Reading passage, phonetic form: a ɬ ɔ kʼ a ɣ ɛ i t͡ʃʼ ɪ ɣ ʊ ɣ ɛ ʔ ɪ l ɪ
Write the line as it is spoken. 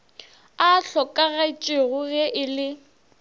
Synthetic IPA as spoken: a ɬ ɔ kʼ a ɣ a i t͡ʃʼ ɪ ɣ ʊ ɣ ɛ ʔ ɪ l ɪ

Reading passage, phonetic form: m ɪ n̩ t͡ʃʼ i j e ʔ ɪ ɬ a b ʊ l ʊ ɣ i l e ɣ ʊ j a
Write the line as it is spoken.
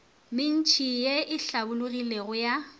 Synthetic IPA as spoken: m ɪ n̩ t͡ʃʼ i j e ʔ ɪ ɬ a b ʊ l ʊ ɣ i l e ɣ ʊ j a

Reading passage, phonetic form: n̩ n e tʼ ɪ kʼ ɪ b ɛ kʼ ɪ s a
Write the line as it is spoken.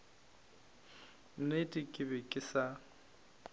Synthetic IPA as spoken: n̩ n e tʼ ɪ kʼ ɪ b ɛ kʼ ɪ s a

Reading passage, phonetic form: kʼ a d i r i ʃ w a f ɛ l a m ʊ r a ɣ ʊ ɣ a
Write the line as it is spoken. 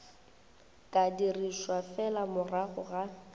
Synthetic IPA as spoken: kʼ a d i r i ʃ w a f ɛ l a m ʊ r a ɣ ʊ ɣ a

